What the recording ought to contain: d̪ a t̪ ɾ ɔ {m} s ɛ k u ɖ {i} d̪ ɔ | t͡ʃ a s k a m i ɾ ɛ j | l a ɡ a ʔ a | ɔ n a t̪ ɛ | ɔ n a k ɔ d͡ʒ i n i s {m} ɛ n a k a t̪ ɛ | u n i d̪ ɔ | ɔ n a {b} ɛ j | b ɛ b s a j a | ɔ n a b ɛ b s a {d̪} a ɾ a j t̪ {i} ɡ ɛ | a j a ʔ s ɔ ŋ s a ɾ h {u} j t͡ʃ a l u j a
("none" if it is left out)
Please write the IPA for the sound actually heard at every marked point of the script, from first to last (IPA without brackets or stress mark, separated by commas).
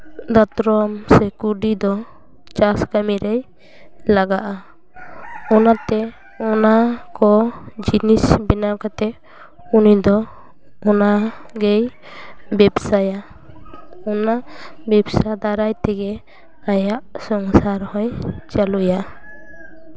m, i, b, ɡ, d̪, ɛ, ɔ